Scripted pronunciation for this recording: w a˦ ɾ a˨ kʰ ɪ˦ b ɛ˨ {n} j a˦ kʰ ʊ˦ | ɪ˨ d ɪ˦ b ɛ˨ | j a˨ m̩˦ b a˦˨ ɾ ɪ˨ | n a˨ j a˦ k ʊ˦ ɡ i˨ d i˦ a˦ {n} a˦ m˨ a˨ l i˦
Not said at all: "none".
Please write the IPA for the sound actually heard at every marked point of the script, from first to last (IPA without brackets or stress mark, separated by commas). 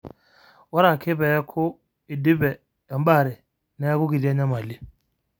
none, ɲ